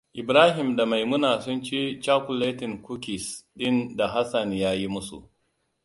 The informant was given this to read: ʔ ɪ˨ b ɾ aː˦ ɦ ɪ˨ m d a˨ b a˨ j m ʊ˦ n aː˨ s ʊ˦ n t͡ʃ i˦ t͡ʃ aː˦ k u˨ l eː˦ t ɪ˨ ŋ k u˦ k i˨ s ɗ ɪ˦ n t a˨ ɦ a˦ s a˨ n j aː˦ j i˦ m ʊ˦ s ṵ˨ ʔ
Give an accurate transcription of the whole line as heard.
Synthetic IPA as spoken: ʔ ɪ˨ b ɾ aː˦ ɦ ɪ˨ m d a˨ m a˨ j m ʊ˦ n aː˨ s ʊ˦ n t͡ʃ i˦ t͡ʃ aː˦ k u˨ l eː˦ t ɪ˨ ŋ k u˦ k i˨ s ɗ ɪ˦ n d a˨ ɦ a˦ s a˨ n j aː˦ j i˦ m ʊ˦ s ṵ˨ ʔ